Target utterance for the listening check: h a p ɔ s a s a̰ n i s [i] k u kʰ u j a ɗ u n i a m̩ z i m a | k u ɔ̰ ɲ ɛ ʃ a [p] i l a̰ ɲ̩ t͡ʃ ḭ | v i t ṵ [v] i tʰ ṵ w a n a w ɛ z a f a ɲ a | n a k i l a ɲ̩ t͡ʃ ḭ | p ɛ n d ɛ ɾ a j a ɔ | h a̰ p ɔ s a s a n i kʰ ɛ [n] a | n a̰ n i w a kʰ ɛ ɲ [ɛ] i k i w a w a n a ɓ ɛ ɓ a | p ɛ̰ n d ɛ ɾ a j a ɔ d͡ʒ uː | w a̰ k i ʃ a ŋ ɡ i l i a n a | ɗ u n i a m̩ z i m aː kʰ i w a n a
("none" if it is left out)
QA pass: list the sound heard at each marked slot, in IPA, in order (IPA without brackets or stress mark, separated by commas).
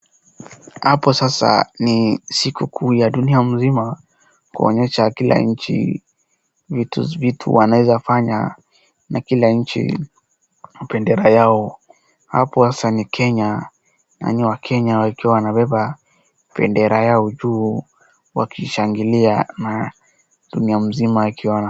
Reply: i, k, v, ɲ, a